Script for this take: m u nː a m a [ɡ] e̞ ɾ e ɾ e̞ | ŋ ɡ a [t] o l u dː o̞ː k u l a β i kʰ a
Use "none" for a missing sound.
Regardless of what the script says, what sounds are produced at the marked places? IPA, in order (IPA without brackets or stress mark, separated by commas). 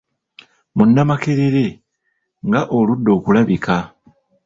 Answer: k, ʔ